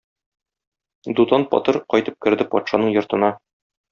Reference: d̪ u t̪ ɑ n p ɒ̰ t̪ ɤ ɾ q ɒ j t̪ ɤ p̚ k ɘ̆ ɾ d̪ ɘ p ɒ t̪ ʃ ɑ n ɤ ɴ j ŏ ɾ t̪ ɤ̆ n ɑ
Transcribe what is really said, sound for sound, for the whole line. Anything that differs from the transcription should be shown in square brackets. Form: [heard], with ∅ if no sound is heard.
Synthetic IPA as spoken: d̪ u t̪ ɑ n p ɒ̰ t̪ ɤ ɾ q ɒ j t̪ ɤ p̚ k ɘ̆ ɾ d̪ ɘ p ɒ t̪ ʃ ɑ n ɤ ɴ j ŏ ɾ t̪ ɤ̆ n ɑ